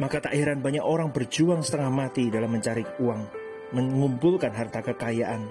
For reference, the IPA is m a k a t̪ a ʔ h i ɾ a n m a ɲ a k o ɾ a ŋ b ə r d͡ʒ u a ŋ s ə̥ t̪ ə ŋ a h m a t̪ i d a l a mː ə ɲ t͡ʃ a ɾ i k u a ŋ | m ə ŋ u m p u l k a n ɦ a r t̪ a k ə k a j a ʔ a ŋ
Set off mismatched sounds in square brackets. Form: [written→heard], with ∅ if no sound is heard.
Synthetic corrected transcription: m a k a t̪ a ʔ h i ɾ a n [m→b] a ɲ a k o ɾ a ŋ b ə r d͡ʒ u a ŋ s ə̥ t̪ ə ŋ a h m a t̪ i d a l a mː ə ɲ t͡ʃ a ɾ i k u a ŋ | m ə ŋ u m p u l k a n ɦ a r t̪ a k ə k a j a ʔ a [ŋ→n]